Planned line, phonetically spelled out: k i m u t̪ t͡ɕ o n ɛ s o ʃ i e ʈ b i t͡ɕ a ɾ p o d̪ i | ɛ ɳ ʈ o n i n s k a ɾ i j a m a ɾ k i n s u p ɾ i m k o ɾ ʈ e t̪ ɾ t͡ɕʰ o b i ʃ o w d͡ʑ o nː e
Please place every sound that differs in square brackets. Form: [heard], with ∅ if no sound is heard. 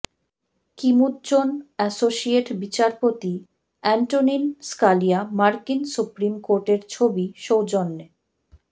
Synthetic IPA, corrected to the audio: k i m u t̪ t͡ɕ o n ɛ s o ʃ i e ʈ b i t͡ɕ a ɾ p o [t̪] i | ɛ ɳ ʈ o n i n s k a [l] i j a m a ɾ k i n s u p ɾ i m k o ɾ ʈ e [∅] ɾ t͡ɕʰ o b i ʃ o w d͡ʑ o nː e